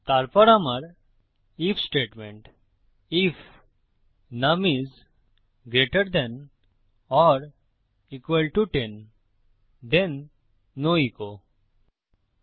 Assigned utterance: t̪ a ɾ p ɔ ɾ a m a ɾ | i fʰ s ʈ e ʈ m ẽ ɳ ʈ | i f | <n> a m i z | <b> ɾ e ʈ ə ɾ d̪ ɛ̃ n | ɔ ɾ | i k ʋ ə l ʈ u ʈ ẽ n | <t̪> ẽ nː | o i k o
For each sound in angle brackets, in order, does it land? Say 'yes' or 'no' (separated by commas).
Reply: yes, no, no